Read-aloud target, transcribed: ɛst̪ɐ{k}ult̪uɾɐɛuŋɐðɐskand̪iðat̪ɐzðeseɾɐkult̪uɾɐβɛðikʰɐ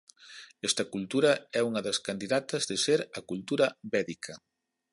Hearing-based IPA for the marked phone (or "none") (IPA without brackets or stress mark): k